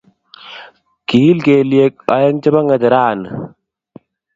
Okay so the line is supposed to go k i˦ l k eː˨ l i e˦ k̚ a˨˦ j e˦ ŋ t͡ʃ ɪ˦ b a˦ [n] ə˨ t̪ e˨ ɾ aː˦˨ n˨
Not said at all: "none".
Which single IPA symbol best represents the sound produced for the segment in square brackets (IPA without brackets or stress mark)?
ŋ